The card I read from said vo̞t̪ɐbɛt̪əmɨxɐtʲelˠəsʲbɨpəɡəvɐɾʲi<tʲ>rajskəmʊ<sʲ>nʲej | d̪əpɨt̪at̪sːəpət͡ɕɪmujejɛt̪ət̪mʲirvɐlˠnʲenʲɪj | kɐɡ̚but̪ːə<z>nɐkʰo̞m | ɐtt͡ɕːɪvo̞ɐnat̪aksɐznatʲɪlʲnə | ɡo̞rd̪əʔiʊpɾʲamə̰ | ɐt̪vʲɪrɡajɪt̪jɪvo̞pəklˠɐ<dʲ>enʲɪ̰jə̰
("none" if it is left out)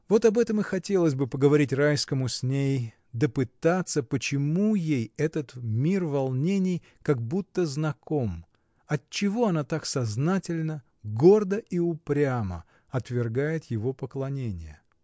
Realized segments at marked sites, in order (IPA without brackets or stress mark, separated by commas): tʲ, sʲ, z, nʲ